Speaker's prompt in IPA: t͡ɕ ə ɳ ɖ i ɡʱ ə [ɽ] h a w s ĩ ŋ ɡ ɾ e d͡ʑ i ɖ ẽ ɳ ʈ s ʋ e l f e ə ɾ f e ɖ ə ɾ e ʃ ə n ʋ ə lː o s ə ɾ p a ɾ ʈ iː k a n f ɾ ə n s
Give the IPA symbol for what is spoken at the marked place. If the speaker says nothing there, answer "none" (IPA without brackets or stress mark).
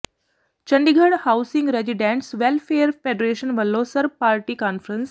ɽ